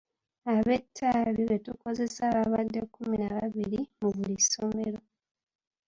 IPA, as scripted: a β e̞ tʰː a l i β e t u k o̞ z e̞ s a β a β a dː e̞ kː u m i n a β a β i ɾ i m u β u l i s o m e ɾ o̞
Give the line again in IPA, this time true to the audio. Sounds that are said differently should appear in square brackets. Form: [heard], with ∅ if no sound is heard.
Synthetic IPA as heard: a β e̞ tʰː a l i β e t u k o̞ z e̞ s a β a β a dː e̞ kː u m i n a β a β i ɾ i m u β u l i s o m e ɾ o̞

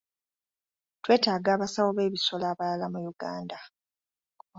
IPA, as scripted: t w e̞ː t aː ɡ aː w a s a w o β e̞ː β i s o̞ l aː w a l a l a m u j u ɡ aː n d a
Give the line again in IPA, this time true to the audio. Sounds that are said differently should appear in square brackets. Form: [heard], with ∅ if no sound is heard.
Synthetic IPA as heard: t w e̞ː t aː ɡ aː [β] a s a w o β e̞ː β i s o̞ l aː [β] a l a l a m u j u ɡ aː n d a

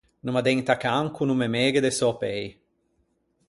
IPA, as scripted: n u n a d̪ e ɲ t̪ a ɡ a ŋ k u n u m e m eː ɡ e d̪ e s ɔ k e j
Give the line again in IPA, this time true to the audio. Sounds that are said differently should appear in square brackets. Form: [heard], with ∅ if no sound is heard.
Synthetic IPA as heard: n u [m] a d̪ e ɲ t̪ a [k] a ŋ k u n u m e m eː ɡ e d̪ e s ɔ [p] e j

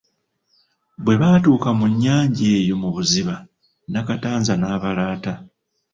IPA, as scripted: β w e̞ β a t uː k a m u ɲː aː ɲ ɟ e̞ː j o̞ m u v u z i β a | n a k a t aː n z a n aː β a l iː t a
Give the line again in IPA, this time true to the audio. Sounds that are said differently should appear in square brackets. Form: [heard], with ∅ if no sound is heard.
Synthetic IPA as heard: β w e̞ β a t uː k a m u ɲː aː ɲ ɟ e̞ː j o̞ m u [β] u z i β a | n a k a t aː n z a n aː β a l [aː] t a

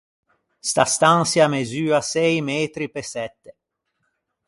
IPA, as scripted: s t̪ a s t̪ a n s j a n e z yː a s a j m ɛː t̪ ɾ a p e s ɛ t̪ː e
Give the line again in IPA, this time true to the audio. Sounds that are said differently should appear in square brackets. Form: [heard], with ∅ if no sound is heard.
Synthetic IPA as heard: s t̪ a s t̪ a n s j a [m] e z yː a s [ɛ] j m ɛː t̪ ɾ [i] p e s ɛ t̪ː e

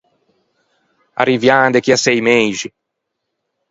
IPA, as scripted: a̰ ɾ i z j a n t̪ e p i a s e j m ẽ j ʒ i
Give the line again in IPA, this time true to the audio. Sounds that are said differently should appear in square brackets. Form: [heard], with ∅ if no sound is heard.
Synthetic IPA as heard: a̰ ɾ i [v] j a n [d̪] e [k] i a s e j m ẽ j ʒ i

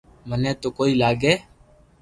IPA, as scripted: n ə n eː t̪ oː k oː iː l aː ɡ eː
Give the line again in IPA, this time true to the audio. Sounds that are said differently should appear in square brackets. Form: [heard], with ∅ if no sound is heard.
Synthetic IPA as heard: [m] ə n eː t̪ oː k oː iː l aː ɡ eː

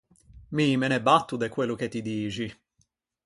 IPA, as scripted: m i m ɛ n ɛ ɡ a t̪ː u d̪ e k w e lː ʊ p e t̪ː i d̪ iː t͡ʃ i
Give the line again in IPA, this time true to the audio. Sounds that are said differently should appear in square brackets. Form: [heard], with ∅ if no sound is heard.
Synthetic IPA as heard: m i m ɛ n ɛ [b] a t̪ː u d̪ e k w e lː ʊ [k] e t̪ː i d̪ iː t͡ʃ i

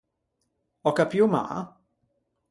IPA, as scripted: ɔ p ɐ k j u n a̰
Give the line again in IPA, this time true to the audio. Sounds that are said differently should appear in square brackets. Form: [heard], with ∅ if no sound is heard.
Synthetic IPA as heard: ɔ [k] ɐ [p] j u [m] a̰

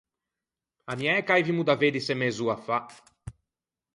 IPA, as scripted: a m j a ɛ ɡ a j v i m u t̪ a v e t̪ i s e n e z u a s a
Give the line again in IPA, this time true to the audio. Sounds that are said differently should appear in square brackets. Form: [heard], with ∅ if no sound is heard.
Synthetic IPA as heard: a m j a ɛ [k] a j v i m u [d̪] a v e [d̪] i s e [m] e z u a [f] a

